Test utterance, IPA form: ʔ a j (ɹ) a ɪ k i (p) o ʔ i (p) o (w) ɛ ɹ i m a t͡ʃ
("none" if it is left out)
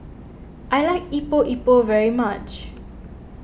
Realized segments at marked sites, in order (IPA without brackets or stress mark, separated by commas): l, p, p, v